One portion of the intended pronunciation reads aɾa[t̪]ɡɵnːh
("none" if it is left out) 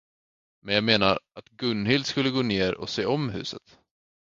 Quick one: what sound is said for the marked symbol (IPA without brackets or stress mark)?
t̪